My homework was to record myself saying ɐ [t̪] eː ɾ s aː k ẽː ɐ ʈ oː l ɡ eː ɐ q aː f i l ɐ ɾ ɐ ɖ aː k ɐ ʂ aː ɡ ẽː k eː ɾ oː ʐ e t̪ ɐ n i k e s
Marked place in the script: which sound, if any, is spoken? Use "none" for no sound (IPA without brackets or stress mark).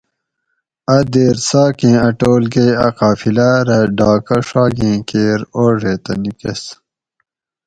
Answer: d̪